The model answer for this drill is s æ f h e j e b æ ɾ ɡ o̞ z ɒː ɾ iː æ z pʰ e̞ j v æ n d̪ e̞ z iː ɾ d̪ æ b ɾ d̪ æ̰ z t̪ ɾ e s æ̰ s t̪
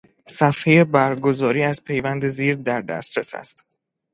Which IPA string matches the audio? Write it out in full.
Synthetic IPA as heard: s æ f h e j e b æ ɾ ɡ o̞ z ɒː ɾ iː æ z pʰ e̞ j v æ n d̪ e̞ z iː ɾ d̪ æ ɾ d̪ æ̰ s t̪ ɾ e s æ̰ s t̪